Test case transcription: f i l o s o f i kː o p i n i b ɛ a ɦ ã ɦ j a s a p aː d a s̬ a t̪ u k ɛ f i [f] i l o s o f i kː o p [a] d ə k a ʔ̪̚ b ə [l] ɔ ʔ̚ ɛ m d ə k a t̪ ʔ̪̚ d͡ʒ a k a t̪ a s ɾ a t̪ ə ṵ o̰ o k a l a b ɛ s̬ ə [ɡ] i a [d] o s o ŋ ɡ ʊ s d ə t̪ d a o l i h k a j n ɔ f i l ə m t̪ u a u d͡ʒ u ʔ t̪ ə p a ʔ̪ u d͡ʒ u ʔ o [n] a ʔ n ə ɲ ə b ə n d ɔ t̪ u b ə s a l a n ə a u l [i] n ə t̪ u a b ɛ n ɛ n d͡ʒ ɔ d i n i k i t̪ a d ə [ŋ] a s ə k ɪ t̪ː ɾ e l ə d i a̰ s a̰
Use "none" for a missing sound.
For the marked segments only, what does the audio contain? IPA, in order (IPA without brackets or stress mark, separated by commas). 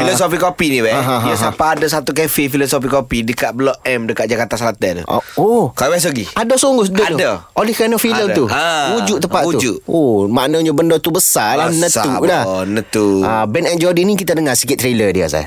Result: f, i, l, ɡ, d, m, a, ŋ